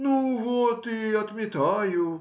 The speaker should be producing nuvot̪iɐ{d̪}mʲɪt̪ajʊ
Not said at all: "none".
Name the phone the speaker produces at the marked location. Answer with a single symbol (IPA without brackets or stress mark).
t̪